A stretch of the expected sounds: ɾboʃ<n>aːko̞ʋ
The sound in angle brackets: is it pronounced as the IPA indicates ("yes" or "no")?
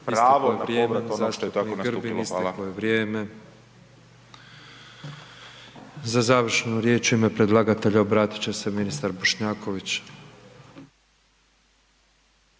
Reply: no